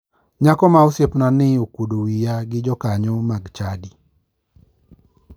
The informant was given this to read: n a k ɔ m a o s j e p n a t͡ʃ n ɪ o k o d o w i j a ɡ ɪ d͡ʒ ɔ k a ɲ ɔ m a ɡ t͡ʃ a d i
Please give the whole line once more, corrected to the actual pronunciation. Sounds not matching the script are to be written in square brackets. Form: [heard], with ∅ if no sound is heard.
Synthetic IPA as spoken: [ɲ] a k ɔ m a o s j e p n a [∅] n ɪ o k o d o w i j a ɡ ɪ d͡ʒ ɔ k a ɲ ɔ m a ɡ t͡ʃ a d i